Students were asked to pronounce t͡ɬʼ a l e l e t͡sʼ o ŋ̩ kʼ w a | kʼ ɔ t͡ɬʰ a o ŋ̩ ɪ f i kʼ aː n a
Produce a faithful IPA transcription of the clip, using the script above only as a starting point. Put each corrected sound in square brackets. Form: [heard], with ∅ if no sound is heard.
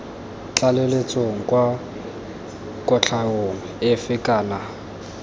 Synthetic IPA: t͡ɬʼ a l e l e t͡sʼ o ŋ̩ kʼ w a | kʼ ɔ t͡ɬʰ a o ŋ̩ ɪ f [ɪ] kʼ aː n a